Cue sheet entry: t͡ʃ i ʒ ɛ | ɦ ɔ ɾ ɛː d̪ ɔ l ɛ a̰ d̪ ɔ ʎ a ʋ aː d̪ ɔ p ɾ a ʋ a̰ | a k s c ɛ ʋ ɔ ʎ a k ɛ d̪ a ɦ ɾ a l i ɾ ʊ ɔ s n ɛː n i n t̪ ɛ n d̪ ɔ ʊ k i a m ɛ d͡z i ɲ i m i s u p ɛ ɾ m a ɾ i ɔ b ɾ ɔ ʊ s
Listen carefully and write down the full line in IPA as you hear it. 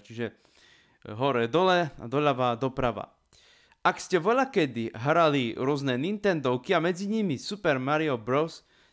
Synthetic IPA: t͡ʃ i ʒ ɛ | ɦ ɔ ɾ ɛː d̪ ɔ l ɛ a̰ d̪ ɔ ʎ a ʋ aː d̪ ɔ p ɾ a ʋ a̰ | a k s c ɛ ʋ ɔ ʎ a k ɛ d̪ i ɦ ɾ a l i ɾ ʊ ɔ z n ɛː n i n t̪ ɛ n d̪ ɔ ʊ k i a m ɛ d͡z i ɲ i m i s u p ɛ ɾ m a ɾ i ɔ b ɾ ɔ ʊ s